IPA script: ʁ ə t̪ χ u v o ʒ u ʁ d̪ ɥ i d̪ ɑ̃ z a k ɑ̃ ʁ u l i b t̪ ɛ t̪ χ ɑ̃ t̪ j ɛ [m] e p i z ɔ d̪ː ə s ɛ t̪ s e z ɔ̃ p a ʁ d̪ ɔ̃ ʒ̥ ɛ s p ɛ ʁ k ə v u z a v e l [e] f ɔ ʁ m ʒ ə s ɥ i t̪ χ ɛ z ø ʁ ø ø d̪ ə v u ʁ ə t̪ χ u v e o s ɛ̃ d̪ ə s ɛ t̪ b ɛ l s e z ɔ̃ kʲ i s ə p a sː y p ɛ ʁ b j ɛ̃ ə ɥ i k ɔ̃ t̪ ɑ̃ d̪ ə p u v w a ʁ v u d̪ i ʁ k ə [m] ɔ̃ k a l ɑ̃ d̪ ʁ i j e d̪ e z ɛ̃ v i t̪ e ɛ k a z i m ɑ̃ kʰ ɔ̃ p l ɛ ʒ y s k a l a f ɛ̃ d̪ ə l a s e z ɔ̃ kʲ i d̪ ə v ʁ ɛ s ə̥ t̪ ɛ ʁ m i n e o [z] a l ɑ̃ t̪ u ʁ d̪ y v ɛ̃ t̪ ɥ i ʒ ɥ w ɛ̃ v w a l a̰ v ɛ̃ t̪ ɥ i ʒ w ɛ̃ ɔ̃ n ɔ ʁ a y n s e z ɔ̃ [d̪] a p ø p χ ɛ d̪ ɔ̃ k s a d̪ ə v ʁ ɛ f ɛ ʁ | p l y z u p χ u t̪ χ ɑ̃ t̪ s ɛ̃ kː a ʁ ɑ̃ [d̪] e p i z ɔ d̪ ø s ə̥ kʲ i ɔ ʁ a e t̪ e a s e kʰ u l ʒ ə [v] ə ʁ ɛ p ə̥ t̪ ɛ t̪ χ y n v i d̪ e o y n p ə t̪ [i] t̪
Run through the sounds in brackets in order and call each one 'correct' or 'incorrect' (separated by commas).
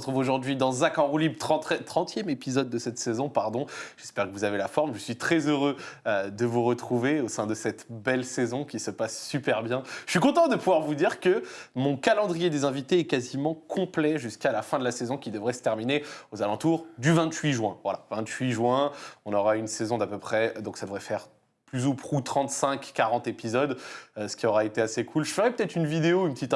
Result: correct, incorrect, correct, correct, correct, incorrect, incorrect, correct